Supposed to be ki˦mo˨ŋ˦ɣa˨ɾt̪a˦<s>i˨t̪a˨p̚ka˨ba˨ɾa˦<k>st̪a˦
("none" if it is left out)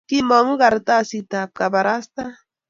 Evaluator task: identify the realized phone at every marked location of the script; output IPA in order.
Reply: s, none

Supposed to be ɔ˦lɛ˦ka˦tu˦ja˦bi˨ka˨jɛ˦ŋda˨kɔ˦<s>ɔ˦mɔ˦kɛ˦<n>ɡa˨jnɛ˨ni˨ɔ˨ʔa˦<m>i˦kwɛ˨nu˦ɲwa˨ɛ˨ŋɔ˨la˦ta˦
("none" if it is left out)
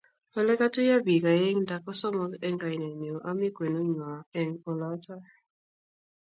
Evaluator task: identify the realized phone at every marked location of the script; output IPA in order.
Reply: s, ŋ, m

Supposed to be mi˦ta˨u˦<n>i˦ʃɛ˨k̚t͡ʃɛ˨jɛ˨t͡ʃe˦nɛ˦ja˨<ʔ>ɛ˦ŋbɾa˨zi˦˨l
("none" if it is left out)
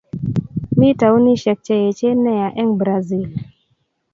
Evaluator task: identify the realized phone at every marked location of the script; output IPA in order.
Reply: n, ʔ

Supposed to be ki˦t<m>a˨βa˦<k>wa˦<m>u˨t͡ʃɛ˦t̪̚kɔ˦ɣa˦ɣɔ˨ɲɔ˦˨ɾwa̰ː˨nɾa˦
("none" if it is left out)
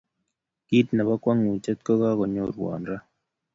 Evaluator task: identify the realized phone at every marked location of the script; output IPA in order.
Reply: n, k, ŋ

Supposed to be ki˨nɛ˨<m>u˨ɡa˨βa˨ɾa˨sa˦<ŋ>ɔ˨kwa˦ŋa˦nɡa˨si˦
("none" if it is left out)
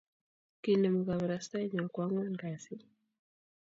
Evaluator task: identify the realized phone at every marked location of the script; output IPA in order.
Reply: m, ɲ

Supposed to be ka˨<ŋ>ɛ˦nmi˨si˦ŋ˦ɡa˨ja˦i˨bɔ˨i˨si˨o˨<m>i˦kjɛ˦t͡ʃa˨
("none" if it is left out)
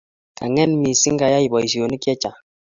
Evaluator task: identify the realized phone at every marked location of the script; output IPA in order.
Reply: ŋ, n

